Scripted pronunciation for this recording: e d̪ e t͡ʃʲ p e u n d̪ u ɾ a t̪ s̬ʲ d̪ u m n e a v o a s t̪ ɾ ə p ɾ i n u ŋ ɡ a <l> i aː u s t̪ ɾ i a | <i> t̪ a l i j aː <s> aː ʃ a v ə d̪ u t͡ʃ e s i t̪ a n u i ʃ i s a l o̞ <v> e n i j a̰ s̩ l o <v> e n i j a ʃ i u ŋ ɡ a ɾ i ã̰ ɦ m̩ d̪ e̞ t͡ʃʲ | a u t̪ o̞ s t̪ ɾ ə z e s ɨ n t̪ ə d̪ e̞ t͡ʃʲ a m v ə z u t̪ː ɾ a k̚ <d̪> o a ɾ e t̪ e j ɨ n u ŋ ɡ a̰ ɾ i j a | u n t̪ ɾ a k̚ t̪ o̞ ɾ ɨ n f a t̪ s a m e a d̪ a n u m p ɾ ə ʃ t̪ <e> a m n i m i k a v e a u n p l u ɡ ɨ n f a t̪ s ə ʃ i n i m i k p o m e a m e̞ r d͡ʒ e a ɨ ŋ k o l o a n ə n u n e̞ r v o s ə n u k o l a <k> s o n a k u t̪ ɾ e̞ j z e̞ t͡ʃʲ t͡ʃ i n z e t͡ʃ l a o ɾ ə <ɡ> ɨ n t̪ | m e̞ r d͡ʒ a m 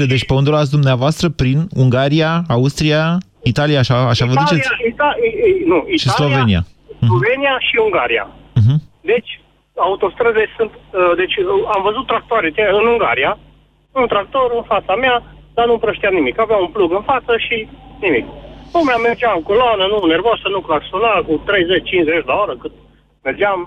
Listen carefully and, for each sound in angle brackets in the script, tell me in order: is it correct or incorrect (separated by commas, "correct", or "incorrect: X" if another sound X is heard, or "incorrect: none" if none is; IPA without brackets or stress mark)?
incorrect: ɾ, correct, incorrect: ʃ, correct, correct, incorrect: t̪, incorrect: i, correct, incorrect: k